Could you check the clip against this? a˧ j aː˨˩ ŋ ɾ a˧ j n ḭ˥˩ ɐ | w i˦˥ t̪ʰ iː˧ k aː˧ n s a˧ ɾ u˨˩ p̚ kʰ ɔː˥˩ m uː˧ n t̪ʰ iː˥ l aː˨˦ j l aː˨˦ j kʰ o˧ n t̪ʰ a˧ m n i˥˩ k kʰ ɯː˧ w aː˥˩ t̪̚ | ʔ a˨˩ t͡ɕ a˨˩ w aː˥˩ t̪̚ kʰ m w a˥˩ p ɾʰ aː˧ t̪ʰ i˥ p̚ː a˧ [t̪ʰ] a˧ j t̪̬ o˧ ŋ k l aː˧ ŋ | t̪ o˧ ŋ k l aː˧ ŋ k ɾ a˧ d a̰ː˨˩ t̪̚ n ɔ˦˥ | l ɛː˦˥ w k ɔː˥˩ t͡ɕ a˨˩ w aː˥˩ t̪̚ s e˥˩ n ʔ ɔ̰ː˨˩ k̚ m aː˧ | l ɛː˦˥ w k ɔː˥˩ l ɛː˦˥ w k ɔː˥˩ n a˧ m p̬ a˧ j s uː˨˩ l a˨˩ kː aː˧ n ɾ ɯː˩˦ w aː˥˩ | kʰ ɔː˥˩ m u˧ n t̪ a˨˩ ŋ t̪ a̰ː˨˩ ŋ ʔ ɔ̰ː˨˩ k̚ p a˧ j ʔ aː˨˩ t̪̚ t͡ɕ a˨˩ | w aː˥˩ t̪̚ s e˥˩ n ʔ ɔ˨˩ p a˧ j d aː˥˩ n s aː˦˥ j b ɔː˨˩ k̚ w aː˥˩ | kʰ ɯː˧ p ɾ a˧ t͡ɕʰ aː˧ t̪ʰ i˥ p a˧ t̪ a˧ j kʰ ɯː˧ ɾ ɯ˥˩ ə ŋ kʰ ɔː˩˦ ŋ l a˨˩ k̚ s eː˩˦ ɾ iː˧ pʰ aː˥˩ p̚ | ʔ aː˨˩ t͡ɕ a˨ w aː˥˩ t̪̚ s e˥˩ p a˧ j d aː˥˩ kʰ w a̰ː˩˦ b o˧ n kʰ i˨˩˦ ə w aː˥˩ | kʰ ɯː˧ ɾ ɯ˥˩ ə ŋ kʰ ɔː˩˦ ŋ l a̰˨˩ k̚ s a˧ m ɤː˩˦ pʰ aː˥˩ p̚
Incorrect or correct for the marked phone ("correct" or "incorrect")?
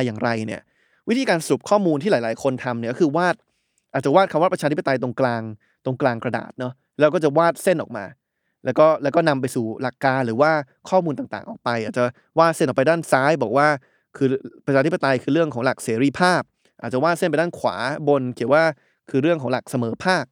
incorrect